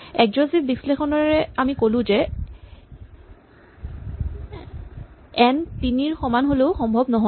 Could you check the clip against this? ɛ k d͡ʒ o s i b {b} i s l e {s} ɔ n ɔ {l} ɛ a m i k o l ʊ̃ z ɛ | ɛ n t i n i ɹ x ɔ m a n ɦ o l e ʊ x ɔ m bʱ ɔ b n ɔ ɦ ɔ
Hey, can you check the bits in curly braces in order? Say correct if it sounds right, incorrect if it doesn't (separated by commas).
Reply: correct, incorrect, incorrect